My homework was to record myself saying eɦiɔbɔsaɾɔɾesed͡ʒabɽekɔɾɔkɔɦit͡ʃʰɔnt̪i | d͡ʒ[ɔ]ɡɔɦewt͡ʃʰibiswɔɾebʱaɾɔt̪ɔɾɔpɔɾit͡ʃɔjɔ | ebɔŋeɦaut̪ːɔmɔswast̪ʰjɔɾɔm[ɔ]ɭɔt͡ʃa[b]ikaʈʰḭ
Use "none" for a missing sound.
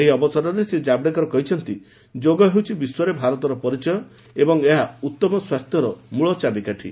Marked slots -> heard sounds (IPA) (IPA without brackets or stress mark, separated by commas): o, u, b